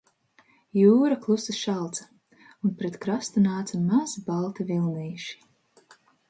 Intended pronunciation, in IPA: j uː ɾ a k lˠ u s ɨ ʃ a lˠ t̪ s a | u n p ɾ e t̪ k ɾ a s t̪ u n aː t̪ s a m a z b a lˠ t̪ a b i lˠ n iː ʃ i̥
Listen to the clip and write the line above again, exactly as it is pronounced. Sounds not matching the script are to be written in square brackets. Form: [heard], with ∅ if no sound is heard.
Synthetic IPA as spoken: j uː ɾ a k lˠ u s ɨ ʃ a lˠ t̪ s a | u n p ɾ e t̪ k ɾ a s t̪ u n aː t̪ s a m a z b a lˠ t̪ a [v] i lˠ n iː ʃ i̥